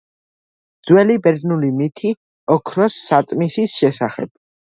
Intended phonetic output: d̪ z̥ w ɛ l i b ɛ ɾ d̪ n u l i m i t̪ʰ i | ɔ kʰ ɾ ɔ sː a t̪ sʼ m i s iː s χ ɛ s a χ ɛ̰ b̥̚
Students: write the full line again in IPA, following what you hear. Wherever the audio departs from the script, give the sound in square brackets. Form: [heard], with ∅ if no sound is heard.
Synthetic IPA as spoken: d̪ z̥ w ɛ l i b ɛ ɾ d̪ n u l i m i t̪ʰ i | ɔ kʰ ɾ ɔ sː a t̪ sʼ m i s [i] s [ʃ] ɛ s a χ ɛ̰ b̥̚